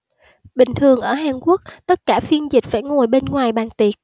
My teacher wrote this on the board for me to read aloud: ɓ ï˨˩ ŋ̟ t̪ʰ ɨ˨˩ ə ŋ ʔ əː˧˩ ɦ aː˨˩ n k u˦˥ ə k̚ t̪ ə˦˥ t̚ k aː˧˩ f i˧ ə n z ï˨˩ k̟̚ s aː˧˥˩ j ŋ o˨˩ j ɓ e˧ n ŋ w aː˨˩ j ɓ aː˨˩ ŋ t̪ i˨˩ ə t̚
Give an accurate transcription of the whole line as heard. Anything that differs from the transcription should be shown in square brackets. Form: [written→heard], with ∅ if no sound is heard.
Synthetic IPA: ɓ ï˨˩ ŋ̟ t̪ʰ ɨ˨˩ ə ŋ ʔ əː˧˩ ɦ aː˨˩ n k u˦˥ ə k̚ t̪ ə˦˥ t̚ k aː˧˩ f i˧ ə n z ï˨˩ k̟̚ [s→f] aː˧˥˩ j ŋ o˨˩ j ɓ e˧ n ŋ w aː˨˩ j ɓ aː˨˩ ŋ t̪ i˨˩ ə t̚